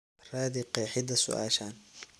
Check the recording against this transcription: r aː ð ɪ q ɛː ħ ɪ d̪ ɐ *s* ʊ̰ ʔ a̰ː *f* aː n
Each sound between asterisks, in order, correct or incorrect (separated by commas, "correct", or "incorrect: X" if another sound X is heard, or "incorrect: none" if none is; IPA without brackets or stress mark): correct, incorrect: ʃ